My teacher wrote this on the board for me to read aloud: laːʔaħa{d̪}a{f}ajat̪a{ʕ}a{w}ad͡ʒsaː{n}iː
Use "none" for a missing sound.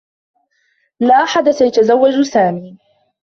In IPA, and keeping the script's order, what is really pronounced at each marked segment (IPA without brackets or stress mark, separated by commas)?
d̪, s, z, wː, m